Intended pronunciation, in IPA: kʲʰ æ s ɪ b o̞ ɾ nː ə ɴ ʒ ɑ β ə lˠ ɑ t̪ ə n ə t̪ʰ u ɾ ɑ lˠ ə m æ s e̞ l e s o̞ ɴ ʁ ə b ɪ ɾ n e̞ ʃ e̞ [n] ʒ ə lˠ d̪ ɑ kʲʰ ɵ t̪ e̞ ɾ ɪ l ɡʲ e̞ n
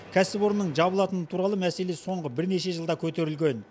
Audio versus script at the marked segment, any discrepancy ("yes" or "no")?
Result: yes